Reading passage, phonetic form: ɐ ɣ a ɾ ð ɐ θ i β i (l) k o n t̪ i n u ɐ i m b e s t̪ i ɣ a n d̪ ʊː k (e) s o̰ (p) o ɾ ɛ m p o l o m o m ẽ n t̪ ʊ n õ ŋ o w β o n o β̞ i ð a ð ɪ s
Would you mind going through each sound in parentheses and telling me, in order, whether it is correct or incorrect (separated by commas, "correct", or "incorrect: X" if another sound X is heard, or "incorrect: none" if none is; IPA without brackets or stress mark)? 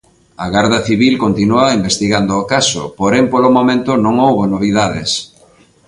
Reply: correct, incorrect: a, correct